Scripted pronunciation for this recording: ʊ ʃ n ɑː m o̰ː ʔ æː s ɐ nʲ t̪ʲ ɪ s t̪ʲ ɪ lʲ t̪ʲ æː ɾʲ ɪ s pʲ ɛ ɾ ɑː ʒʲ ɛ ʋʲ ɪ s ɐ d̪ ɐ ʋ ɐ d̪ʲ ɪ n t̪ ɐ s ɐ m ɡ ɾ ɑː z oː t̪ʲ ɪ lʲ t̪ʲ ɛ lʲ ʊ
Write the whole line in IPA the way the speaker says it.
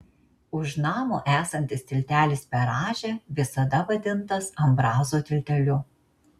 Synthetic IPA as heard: ʊ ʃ n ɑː m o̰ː ʔ æː s ɐ nʲ t̪ʲ ɪ s t̪ʲ ɪ lʲ t̪ʲ æː lʲ ɪ s pʲ ɛ ɾ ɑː ʒʲ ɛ ʋʲ ɪ s ɐ d̪ ɐ ʋ ɐ d̪ʲ ɪ n t̪ ɐ s ɐ m b ɾ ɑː z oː t̪ʲ ɪ lʲ t̪ʲ ɛ lʲ ʊ

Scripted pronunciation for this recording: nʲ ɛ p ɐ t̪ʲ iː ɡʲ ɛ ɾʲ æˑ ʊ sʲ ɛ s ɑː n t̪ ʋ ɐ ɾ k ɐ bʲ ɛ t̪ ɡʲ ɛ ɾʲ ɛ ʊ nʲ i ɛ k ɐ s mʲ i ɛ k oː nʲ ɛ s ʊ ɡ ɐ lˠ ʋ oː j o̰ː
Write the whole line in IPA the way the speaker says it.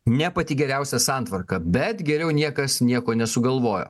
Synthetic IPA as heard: nʲ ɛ p ɐ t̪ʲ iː ɡʲ ɛ ɾʲ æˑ ʊ sʲ ɛ s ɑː n t̪ ʋ ɐ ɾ k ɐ bʲ ɛ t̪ ɡʲ ɛ ɾʲ ɛ ʊ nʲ i ɛ k ɐ s nʲ i ɛ k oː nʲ ɛ s ʊ ɡ ɐ lˠ ʋ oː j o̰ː

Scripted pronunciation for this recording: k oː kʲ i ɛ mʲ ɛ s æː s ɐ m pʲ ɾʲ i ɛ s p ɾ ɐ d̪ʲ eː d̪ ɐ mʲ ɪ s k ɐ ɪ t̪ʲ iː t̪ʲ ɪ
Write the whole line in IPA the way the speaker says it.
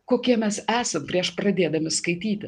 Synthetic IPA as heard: k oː kʲ i ɛ mʲ ɛ s æː s ɐ m pʲ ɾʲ i ɛ ʃ p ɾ ɐ d̪ʲ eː d̪ ɐ mʲ ɪ s k ɐ ɪ t̪ʲ iː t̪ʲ ɪ

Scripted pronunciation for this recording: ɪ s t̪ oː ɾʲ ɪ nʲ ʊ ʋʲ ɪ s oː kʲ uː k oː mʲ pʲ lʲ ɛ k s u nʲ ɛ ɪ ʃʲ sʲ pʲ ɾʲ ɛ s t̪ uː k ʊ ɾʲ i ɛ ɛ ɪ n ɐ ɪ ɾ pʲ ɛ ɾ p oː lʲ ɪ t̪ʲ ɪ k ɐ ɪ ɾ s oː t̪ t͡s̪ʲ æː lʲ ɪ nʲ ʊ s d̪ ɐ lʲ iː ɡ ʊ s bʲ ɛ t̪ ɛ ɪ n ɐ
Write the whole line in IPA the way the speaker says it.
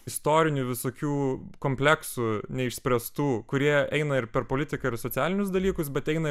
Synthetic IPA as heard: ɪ s t̪ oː ɾʲ ɪ nʲ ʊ ʋʲ ɪ s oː kʲ uː k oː mʲ pʲ lʲ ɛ k s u nʲ ɛ ɪ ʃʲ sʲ pʲ ɾʲ ɛ s t̪ uː k ʊ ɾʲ i ɛ ɛ ɪ n ɐ ɪ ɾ pʲ ɛ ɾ p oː lʲ ɪ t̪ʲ ɪ k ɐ ɪ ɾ s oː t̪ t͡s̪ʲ æː lʲ ɪ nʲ ʊ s d̪ ɐ lʲ iː k ʊ s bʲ ɛ t̪ ɛ ɪ n ɐ

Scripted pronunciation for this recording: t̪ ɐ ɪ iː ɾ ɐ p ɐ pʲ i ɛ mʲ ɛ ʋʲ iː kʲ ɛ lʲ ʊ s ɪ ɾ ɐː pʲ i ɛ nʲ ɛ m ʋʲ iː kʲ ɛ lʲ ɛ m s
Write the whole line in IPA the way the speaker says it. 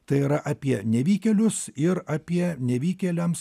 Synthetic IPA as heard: t̪ ɐ ɪ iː ɾ ɐ ʔ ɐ pʲ i ɛ nʲ ɛ ʋʲ iː kʲ ɛ lʲ ʊ s ɪ ɾ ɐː pʲ i ɛ nʲ ɛ ʋʲ iː kʲ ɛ lʲ ɛ m s

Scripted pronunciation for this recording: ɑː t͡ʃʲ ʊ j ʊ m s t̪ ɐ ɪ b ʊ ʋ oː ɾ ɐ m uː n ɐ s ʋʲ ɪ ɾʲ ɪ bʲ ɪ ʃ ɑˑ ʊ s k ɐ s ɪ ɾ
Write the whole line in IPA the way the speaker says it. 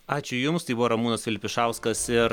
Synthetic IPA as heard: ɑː t͡ʃʲ ʊ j ʊ m s t̪ ɐ ɪ b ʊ ʋ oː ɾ ɐ m uː n ɐ s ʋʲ ɪ lʲ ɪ pʲ ɪ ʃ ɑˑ ʊ s k ɐ s ɪ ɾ

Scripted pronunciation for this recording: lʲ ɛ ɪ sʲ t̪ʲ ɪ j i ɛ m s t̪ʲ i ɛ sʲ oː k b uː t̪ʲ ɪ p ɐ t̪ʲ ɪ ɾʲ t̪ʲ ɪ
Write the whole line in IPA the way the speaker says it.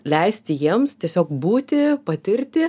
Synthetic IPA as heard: lʲ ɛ ɪ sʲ t̪ʲ ɪ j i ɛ m s t̪ʲ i ɛ sʲ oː k b uː t̪ʲ ɪ p ɐ t̪ʲ ɪ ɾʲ t̪ʲ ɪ

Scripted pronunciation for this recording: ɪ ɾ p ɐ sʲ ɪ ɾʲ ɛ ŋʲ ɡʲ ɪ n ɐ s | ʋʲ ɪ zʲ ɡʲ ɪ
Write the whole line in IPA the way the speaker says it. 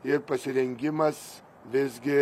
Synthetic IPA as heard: ɪ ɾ p ɐ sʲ ɪ ɾʲ ɛ ŋʲ ɡʲ ɪ m ɐ s | ʋʲ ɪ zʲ ɡʲ ɪ

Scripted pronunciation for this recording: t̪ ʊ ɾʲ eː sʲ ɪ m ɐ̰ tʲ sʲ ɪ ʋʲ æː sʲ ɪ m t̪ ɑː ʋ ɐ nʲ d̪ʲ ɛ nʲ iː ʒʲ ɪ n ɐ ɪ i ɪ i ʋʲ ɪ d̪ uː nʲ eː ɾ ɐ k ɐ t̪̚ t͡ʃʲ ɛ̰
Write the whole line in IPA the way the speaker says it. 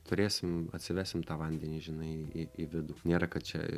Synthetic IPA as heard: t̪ ʊ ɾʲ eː sʲ ɪ m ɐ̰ tʲ sʲ ɪ ʋʲ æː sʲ ɪ m t̪ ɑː ʋ ɐ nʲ d̪ʲ ɛ nʲ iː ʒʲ ɪ n ɐ ɪ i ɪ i ʋʲ ɪ d̪ uː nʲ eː ɾ ɐ k ɐ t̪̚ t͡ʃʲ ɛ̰

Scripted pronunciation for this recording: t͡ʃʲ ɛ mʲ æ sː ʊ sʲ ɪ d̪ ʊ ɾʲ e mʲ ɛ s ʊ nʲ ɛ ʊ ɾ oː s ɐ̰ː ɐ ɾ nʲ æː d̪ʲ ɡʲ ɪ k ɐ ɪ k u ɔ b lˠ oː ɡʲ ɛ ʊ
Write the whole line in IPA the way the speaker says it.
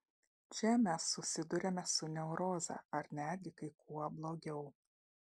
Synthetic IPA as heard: t͡ʃʲ ɛ mʲ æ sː ʊ sʲ ɪ d̪ ʊ ɾʲ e mʲ ɛ s ʊ nʲ ɛ ʊ ɾ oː z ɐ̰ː ɐ ɾ nʲ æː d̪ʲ ɡʲ ɪ k ɐ ɪ k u ɔ b lˠ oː ɡʲ ɛ ʊ

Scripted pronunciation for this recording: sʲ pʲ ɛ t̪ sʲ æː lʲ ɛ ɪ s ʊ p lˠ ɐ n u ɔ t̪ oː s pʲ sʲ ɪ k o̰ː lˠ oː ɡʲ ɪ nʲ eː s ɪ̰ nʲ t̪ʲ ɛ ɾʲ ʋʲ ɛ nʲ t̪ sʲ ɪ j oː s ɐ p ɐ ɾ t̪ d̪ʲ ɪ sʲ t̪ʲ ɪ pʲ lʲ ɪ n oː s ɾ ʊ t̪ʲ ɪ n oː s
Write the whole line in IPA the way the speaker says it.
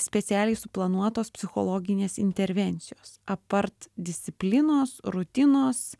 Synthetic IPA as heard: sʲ pʲ ɛ t̪ sʲ æː lʲ ɛ ɪ s ʊ p lˠ ɐ n u ɔ t̪ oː s pʲ sʲ ɪ x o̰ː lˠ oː ɡʲ ɪ nʲ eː s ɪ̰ nʲ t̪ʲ ɛ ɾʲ ʋʲ ɛ nʲ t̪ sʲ ɪ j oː s ɐ p ɐ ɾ t̪ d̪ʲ ɪ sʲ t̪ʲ ɪ pʲ lʲ ɪ n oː s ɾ ʊ t̪ʲ ɪ n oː s

